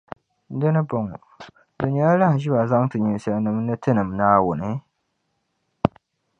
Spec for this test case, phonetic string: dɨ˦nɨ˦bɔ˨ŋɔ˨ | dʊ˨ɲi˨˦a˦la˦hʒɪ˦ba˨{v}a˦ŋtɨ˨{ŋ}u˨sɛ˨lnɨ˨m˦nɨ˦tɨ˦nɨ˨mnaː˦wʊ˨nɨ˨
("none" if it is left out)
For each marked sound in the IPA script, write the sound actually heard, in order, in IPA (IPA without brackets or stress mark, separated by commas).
z, ɲ